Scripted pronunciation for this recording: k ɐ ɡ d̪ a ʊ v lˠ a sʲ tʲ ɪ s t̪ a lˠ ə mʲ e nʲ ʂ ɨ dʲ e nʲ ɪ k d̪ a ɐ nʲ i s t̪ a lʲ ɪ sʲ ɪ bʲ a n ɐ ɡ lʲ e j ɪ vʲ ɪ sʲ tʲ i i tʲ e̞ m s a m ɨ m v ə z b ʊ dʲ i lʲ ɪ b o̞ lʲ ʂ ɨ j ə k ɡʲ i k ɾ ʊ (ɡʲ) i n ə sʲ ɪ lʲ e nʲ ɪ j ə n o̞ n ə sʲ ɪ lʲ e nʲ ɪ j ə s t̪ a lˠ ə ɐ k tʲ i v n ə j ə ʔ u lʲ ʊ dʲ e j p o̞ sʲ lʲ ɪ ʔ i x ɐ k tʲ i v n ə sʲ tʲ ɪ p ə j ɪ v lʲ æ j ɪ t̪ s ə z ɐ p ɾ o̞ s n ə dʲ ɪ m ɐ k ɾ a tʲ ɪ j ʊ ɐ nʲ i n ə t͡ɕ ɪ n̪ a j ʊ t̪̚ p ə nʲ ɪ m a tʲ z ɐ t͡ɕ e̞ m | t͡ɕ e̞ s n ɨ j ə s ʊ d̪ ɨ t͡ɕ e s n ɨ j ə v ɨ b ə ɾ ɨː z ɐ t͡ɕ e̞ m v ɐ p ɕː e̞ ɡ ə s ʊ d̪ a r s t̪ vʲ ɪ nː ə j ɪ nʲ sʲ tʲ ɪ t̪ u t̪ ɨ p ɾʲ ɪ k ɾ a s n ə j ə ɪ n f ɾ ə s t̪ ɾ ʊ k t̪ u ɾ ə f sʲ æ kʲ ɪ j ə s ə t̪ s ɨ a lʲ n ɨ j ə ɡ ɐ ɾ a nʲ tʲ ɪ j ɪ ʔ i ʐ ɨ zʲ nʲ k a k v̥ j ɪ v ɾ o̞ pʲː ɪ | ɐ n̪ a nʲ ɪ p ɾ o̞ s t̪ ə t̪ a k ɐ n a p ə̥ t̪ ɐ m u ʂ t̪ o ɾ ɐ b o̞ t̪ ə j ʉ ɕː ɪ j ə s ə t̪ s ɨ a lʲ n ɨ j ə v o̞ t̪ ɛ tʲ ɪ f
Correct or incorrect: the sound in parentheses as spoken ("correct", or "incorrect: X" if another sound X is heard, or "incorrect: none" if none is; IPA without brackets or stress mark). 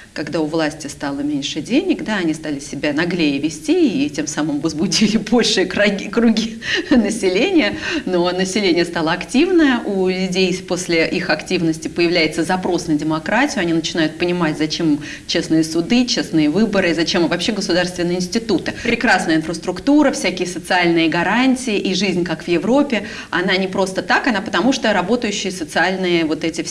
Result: correct